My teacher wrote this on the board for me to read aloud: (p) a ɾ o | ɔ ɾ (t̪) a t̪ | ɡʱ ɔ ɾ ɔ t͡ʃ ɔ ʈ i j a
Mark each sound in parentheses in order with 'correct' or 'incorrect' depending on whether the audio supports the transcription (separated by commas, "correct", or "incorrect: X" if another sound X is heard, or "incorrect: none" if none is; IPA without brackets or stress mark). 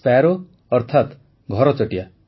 correct, incorrect: t̪ʰ